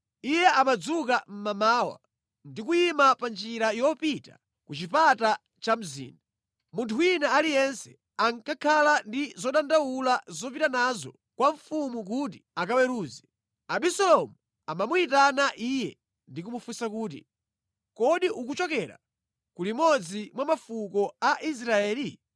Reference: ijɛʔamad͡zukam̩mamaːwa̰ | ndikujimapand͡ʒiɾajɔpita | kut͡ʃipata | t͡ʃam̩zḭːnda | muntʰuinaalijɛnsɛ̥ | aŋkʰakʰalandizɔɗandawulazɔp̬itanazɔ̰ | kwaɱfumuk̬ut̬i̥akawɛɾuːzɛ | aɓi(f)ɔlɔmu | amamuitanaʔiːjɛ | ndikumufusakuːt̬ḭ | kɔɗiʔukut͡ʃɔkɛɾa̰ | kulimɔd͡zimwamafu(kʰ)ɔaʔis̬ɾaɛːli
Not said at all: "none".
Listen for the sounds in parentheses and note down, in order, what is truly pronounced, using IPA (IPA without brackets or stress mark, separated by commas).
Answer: s, k